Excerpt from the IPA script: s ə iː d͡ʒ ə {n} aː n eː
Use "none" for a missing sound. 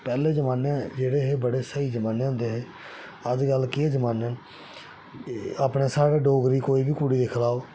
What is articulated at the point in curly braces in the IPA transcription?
m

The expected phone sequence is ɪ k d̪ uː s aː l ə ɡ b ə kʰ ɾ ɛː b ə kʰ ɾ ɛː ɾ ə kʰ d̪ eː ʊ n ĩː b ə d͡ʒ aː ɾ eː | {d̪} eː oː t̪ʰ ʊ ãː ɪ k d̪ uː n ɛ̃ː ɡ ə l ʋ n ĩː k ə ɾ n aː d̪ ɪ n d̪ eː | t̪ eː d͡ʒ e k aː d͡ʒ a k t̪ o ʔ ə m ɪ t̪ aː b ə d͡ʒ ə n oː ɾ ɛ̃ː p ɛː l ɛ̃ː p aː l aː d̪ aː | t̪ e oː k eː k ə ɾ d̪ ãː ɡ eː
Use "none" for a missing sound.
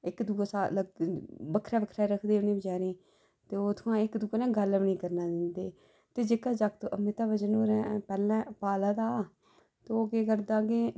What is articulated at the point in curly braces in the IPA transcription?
t̪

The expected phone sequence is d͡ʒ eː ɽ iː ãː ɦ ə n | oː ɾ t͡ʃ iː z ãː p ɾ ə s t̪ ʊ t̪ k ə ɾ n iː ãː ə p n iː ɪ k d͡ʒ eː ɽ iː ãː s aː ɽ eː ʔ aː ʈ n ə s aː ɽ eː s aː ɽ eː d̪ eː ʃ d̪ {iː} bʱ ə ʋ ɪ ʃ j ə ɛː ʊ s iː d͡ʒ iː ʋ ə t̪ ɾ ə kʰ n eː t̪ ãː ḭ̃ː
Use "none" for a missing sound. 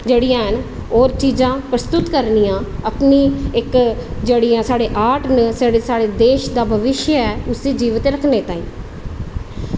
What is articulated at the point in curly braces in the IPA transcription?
aː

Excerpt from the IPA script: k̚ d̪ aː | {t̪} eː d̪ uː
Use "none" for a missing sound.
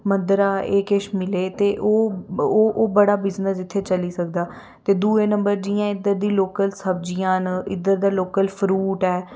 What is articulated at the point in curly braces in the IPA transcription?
t̪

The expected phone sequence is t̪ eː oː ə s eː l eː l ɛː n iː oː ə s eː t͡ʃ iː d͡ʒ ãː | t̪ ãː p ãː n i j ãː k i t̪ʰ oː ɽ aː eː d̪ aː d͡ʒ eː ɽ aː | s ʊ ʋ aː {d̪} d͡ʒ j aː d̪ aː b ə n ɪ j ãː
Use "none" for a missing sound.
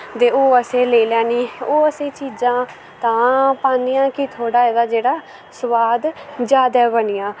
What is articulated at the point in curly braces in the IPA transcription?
d̪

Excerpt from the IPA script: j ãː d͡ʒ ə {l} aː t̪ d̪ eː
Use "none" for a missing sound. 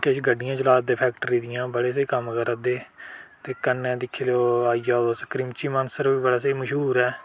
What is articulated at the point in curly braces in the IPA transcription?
l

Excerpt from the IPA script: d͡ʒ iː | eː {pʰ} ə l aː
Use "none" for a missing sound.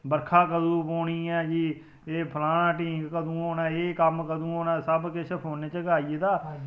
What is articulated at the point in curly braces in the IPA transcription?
pʰ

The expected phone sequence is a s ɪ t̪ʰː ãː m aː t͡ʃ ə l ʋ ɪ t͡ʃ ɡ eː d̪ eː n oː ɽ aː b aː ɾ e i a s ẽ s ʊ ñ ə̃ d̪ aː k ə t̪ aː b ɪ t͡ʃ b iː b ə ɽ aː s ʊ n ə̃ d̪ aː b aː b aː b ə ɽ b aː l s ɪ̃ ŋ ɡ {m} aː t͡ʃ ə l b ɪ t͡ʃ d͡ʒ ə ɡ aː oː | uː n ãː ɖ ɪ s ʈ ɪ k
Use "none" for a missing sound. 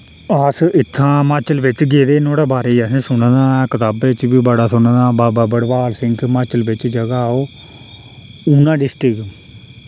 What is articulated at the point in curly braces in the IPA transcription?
m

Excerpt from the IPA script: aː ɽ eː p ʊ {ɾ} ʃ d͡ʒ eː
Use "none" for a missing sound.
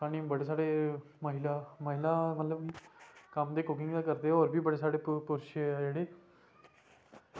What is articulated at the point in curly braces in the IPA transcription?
ɾ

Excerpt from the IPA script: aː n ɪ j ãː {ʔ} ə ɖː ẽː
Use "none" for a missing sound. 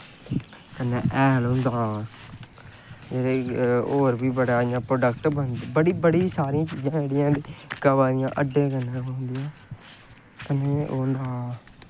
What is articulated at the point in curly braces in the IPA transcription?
ʔ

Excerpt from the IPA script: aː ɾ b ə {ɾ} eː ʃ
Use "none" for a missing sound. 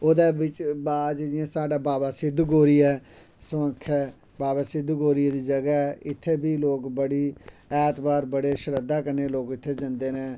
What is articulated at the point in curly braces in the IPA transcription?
ɽ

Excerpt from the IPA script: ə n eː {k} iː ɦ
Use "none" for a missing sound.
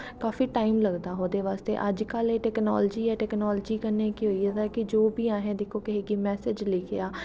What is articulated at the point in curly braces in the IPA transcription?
k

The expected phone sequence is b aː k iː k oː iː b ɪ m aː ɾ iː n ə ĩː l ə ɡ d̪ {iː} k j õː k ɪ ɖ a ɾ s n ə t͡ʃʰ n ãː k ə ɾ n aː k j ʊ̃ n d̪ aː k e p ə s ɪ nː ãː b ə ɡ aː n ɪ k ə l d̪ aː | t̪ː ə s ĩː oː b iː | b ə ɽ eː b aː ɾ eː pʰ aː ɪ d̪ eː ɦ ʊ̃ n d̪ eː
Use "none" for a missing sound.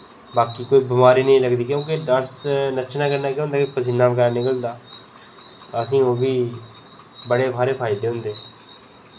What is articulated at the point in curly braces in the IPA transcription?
iː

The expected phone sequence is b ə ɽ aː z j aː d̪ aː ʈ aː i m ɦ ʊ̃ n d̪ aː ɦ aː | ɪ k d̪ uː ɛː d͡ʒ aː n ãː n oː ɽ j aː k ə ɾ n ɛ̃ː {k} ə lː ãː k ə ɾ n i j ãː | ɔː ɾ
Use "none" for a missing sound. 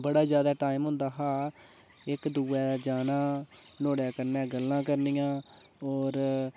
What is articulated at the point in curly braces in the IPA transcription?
ɡ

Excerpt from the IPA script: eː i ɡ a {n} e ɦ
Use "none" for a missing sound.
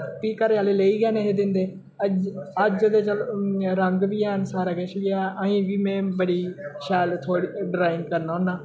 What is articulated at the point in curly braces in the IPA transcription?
n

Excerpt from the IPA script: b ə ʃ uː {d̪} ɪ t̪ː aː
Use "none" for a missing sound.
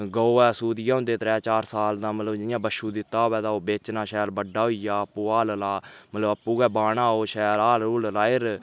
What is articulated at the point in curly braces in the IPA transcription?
d̪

